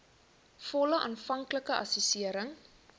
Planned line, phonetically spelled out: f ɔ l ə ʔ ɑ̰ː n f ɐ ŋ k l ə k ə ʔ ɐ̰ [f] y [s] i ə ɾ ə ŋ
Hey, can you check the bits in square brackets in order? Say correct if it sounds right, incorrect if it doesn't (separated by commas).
incorrect, correct